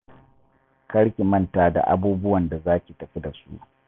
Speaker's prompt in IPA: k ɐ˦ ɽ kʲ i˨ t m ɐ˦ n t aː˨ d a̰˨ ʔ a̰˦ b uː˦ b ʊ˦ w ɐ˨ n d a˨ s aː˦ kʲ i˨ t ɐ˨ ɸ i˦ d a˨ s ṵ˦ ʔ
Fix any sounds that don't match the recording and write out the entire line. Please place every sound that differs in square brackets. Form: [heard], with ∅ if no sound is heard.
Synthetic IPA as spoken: k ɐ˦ ɽ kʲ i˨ [∅] m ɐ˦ n t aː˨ d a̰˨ ʔ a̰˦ b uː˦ b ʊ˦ w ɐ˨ n d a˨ [z] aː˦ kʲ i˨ t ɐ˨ ɸ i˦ d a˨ s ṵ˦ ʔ